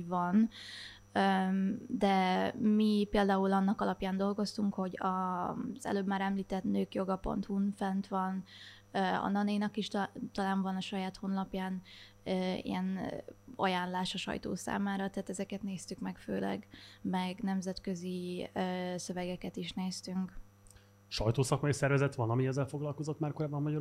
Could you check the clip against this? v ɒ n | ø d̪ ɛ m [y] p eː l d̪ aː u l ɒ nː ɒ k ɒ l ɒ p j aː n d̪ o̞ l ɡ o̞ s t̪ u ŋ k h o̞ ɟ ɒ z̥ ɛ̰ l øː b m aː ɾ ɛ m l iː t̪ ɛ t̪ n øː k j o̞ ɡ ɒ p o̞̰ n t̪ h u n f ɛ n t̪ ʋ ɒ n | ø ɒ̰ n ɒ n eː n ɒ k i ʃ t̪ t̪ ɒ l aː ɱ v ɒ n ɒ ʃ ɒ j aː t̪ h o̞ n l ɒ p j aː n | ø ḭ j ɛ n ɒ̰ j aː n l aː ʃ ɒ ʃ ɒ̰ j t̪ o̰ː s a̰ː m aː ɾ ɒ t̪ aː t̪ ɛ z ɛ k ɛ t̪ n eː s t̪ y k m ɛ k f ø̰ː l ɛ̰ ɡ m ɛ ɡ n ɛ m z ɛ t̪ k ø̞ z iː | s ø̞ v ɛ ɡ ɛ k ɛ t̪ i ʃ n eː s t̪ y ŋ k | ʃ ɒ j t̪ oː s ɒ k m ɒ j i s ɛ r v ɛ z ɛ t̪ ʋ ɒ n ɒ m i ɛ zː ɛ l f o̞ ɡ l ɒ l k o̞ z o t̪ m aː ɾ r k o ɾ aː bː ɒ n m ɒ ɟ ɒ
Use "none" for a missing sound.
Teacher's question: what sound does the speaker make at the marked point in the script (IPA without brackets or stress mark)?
i